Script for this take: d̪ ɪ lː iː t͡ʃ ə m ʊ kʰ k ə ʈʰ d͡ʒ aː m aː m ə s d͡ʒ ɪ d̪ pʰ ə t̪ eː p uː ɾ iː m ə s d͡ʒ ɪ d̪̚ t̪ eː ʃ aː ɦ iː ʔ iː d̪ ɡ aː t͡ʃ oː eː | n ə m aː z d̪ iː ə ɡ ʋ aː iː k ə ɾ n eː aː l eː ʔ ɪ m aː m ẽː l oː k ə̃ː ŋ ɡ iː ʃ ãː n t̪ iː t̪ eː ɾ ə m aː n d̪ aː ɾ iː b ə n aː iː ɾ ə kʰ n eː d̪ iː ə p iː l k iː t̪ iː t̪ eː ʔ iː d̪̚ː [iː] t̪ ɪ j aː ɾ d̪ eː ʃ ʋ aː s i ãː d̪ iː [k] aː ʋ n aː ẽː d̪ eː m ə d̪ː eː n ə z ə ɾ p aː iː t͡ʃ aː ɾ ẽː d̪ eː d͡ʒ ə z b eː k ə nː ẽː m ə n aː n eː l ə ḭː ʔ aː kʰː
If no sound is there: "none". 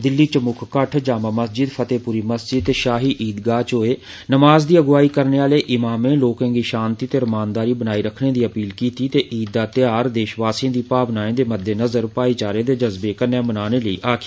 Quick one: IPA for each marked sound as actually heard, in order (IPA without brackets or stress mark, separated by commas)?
aː, p